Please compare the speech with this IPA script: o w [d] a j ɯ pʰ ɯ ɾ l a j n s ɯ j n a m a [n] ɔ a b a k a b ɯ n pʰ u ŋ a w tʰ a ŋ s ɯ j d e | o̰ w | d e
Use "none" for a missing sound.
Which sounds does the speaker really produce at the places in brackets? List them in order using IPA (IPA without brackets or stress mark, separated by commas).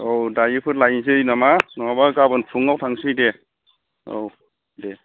d, n